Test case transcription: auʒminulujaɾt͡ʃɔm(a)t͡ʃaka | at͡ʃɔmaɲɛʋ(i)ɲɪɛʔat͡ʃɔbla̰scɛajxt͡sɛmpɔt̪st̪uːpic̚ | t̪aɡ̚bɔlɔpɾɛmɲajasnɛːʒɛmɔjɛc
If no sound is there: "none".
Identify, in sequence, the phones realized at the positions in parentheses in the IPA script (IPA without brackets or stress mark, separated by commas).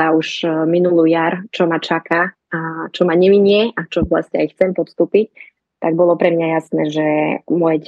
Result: a, i